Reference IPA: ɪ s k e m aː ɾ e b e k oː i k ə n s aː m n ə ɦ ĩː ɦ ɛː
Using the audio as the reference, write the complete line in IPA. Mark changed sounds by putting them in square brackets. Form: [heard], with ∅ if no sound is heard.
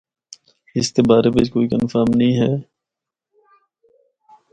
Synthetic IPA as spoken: ɪ s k e [b] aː ɾ e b e k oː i k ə n [f] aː m n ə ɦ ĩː ɦ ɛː